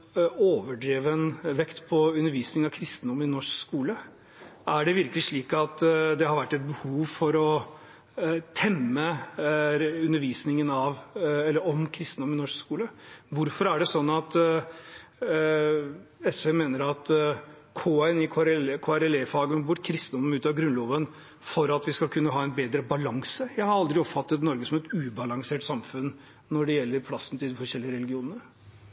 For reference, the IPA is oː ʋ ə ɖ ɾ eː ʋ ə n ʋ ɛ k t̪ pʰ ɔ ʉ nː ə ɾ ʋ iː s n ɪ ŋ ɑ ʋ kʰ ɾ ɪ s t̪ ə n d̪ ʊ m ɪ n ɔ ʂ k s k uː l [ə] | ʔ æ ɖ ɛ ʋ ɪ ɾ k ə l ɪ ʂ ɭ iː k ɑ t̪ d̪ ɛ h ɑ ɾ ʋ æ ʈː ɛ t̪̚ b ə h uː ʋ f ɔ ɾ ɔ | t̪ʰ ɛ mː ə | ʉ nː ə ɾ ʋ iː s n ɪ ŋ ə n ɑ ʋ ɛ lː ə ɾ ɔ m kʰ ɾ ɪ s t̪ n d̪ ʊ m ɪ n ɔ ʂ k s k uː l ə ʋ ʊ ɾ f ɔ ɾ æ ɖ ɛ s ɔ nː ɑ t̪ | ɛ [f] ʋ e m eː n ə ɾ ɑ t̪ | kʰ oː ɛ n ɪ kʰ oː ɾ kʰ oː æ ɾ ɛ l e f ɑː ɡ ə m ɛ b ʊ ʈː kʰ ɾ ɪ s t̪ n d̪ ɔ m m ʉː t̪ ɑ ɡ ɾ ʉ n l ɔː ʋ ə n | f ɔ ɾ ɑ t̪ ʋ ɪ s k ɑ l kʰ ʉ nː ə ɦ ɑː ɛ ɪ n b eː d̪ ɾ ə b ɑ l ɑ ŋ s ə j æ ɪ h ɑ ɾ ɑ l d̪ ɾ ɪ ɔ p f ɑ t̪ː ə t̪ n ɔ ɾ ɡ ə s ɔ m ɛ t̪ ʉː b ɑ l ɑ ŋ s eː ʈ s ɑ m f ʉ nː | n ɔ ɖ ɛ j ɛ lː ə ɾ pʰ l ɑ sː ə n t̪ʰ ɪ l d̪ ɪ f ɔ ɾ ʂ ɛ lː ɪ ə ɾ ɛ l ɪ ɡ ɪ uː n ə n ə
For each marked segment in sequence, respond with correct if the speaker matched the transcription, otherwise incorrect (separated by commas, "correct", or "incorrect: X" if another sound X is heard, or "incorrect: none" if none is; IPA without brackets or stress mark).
correct, incorrect: s